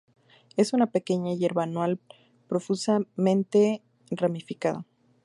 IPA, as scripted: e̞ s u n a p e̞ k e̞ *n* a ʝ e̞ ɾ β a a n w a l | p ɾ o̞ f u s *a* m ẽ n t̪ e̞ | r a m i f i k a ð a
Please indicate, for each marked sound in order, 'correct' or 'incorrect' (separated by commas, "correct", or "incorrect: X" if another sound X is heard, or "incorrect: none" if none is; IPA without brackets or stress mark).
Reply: incorrect: ɲ, correct